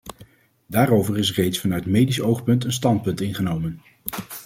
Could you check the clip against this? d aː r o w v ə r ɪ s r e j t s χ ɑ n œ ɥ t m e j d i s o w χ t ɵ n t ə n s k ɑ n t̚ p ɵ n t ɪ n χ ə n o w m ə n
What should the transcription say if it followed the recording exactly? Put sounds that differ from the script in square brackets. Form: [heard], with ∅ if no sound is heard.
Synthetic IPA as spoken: d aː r o w v ə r ɪ s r e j t s [f] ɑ n œ ɥ t m e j d i s o w χ [p] ɵ n t ə n s [t] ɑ n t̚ p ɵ n t ɪ n χ ə n o w m ə n